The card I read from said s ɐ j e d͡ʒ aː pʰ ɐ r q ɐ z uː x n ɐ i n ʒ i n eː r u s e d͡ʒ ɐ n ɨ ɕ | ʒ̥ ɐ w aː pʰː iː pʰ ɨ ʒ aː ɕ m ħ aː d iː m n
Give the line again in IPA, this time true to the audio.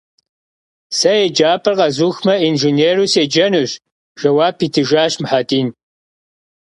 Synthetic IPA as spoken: s ɐ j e d͡ʒ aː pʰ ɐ r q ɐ z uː x m ɐ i n ʒ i n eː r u s e d͡ʒ ɐ n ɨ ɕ | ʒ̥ ɐ w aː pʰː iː tʰ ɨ ʒ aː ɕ m ħ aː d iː n